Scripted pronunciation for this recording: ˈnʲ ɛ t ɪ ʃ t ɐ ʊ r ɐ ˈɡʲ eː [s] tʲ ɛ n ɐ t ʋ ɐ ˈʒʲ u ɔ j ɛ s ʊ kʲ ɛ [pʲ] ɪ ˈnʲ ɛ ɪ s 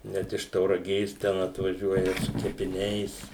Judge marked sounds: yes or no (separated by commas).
yes, yes